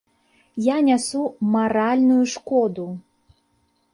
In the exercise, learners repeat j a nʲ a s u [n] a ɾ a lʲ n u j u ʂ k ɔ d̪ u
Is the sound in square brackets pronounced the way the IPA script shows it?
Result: no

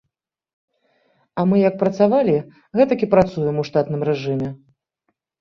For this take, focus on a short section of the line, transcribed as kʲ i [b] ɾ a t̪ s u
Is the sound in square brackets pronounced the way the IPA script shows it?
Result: no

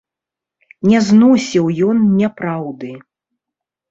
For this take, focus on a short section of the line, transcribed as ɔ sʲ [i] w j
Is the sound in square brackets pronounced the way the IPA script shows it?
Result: yes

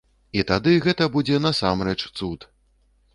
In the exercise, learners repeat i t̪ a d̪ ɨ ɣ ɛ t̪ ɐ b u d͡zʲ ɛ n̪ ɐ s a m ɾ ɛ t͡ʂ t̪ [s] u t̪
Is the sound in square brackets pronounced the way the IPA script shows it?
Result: yes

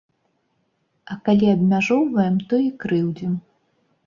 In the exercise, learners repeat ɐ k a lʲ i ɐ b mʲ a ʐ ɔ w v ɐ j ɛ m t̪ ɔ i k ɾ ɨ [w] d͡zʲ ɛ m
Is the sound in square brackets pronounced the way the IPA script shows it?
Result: yes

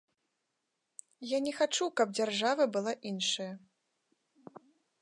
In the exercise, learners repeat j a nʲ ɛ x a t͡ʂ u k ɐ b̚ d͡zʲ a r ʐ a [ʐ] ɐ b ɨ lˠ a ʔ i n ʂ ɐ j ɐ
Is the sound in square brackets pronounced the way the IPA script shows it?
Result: no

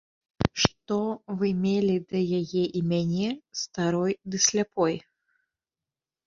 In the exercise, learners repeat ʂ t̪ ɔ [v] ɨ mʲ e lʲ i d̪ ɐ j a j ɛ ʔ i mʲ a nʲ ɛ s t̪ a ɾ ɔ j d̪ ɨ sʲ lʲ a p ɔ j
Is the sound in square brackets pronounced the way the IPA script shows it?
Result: yes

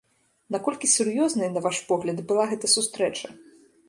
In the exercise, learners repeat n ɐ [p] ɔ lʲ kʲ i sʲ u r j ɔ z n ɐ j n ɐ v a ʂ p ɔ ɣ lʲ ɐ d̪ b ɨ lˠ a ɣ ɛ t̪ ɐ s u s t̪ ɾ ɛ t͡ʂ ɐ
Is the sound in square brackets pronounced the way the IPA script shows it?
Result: no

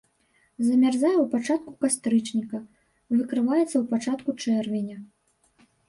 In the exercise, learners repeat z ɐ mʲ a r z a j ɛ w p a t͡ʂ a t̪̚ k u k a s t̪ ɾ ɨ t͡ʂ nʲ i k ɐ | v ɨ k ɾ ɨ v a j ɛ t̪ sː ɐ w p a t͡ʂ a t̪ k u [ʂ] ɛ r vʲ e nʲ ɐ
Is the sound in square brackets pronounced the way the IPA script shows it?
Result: no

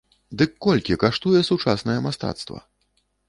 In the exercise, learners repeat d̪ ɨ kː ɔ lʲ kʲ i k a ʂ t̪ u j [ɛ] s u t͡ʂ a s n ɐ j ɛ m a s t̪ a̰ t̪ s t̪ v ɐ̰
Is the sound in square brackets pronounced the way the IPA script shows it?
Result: yes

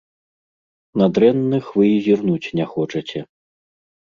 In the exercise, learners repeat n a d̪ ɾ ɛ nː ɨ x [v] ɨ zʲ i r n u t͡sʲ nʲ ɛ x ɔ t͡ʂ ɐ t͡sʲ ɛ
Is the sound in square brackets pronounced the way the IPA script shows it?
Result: yes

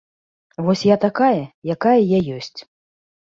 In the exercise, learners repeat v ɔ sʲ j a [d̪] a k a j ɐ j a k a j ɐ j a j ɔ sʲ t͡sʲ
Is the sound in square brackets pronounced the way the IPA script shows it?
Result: no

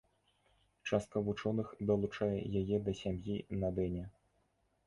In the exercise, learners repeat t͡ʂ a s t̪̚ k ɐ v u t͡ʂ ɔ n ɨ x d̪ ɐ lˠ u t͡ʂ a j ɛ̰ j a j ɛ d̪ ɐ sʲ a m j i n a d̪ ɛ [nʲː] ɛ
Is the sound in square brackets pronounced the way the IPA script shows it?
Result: no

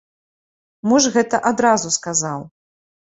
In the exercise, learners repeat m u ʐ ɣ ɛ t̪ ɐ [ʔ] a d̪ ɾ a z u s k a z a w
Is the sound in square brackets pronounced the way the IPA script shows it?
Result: yes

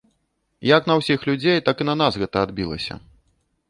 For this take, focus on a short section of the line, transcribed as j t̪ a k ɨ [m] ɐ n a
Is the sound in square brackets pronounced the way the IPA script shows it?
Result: no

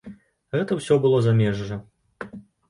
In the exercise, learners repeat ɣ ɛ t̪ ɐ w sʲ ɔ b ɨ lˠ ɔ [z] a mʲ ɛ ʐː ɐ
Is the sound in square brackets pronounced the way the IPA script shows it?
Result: yes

